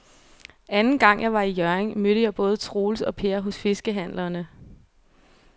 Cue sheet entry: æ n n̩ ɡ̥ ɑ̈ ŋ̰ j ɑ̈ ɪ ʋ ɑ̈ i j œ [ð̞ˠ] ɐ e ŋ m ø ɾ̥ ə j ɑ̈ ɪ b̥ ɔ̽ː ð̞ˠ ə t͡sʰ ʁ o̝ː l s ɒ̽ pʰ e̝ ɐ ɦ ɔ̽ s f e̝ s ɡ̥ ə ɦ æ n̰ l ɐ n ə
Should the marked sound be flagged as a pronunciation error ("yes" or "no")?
yes